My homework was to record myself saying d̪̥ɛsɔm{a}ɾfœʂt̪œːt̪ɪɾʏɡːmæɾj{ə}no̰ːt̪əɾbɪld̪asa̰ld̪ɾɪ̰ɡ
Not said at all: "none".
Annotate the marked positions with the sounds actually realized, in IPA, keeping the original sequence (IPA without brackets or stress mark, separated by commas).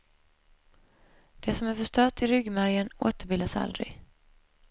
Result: æ, ə